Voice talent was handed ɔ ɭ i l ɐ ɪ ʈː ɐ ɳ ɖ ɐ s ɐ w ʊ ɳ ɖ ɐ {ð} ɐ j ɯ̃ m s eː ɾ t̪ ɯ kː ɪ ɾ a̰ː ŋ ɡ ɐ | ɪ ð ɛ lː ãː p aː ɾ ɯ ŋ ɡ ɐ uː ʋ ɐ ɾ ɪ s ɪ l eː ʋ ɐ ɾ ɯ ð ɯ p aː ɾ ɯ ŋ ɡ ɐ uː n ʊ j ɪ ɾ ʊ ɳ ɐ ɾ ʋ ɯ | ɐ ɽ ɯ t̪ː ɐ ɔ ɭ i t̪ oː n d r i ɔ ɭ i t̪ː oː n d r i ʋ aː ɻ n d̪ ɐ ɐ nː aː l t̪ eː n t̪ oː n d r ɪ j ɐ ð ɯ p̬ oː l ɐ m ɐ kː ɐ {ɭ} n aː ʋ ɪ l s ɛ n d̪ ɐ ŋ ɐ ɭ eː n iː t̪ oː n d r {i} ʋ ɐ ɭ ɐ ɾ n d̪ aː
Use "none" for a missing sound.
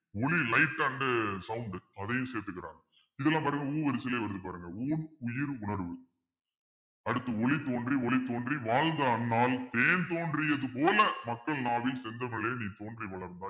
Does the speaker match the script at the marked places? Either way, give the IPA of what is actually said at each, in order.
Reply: ð, ɭ, i

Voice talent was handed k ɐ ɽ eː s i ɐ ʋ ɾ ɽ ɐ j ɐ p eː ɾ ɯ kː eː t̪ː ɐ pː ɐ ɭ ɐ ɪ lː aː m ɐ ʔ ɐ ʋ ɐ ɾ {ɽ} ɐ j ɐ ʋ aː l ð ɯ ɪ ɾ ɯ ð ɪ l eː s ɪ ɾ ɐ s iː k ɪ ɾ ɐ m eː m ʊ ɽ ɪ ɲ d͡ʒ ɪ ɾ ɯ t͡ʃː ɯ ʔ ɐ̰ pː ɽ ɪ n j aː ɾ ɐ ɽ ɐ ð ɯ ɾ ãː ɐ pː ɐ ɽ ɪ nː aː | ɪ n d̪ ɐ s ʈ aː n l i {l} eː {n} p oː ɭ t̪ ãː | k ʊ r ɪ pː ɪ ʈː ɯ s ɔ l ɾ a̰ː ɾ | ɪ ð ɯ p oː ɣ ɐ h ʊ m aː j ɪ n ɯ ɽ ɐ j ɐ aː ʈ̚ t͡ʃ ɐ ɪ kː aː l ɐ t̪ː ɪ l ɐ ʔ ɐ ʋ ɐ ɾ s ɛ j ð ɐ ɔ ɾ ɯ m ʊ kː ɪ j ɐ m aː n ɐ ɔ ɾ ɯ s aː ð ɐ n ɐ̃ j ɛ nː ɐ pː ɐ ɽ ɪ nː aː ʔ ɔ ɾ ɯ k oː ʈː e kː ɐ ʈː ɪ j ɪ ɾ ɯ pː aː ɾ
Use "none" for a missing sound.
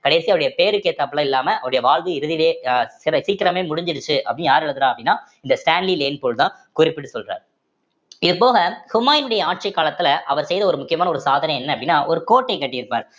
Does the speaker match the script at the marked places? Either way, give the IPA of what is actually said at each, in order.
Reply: ɽ, l, n

